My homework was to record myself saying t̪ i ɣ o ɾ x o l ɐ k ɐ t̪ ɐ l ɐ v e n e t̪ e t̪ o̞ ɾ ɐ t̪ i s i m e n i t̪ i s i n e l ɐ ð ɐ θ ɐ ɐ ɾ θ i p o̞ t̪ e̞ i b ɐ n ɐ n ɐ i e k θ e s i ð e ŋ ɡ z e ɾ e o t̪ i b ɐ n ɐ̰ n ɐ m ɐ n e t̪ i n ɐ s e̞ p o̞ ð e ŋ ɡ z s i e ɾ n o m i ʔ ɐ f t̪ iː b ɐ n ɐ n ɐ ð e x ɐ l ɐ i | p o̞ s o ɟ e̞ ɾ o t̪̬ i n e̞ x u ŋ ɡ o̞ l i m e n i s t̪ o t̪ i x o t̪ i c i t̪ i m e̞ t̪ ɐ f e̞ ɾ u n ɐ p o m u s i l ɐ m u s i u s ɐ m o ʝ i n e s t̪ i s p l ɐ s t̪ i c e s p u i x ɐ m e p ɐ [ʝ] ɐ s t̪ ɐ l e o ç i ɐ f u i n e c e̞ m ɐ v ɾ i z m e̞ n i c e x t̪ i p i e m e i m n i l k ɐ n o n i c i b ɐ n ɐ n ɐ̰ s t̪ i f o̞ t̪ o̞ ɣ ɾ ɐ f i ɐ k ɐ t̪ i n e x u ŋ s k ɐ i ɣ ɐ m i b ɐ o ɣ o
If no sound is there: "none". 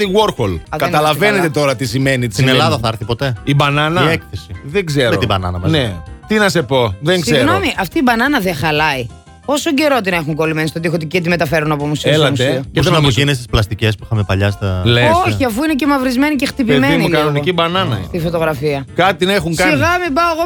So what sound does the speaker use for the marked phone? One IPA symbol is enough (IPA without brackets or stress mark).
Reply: ʎ